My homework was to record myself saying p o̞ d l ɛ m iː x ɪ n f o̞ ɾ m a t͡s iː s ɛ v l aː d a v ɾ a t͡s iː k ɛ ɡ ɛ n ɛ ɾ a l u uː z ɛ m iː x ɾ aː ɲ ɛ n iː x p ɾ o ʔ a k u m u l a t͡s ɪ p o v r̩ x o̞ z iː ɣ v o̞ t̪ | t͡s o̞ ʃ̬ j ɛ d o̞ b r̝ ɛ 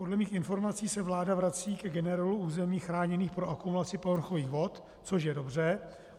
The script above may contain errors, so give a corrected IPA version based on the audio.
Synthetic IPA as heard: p o̞ d l ɛ m iː x ɪ n f o̞ ɾ m a t͡s iː s ɛ v l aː d a v ɾ a t͡s iː k ɛ ɡ ɛ n ɛ ɾ a l u uː z ɛ m iː x ɾ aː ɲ ɛ n iː x p ɾ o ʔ a k u m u l a t͡s ɪ p o v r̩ x o̞ v iː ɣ v o̞ t̪ | t͡s o̞ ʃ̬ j ɛ d o̞ b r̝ ɛ